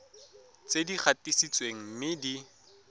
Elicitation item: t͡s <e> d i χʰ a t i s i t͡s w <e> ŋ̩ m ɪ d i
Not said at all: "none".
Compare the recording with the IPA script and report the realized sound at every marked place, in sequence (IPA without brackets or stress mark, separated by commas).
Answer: e, e